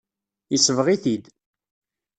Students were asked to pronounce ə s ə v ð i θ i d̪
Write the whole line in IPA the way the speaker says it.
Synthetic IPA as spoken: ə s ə v ʁ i θ i d̪